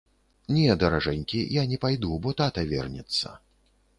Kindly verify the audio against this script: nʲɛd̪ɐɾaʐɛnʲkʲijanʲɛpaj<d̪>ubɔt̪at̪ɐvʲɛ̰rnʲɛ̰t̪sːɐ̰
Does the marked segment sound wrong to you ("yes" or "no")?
no